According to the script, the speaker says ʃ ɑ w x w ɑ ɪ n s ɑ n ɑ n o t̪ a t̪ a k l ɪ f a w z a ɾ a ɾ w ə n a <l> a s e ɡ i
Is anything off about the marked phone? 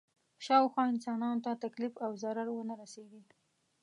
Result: yes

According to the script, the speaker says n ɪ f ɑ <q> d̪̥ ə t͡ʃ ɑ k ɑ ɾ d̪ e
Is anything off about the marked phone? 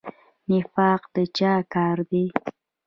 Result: no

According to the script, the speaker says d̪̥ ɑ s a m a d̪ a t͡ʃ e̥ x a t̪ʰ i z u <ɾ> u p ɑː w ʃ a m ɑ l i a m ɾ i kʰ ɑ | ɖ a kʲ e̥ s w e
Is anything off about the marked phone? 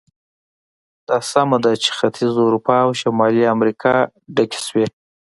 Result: no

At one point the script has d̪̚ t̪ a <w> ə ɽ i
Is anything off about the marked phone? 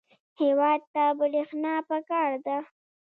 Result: yes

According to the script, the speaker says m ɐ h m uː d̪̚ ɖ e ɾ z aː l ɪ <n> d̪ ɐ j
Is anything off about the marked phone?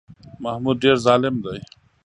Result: yes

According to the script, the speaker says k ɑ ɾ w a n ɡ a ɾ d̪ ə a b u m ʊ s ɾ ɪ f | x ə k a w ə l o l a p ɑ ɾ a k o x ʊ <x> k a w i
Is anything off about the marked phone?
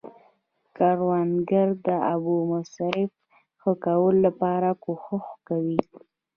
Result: no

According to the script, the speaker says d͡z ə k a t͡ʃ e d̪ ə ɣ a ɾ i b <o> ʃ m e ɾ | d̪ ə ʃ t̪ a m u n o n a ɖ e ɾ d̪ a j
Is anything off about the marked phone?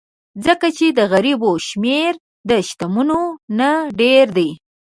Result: no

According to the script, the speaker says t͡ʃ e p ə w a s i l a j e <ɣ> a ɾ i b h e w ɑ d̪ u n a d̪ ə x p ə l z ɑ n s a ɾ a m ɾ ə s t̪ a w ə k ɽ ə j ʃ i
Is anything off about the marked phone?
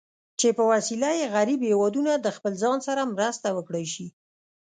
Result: no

